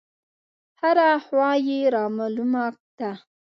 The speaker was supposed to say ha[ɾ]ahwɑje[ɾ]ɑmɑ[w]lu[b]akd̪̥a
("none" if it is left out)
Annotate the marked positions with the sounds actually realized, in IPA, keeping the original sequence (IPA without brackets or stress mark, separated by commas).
ɾ, ɾ, none, m